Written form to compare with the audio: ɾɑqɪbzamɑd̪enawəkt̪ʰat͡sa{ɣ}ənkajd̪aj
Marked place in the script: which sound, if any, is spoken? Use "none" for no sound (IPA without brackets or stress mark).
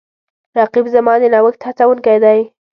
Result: w